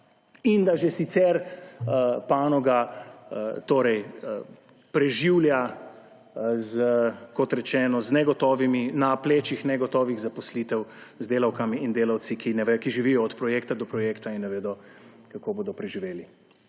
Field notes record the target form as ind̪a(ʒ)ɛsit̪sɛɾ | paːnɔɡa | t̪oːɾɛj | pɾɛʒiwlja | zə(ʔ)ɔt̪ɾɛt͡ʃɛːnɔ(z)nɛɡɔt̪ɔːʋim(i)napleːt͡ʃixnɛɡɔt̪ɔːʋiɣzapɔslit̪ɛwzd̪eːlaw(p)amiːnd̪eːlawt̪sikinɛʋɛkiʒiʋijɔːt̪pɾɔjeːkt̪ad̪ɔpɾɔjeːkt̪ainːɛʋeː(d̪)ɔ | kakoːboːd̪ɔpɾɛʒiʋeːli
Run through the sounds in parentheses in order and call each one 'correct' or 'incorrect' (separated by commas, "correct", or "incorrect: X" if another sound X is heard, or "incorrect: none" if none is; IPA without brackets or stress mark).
correct, incorrect: k, correct, correct, incorrect: k, correct